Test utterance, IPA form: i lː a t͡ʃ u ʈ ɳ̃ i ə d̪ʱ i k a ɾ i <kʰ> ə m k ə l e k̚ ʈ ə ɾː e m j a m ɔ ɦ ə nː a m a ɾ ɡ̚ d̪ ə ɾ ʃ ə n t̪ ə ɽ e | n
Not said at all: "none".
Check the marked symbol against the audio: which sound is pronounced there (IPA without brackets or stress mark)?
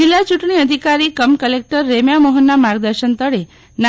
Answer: k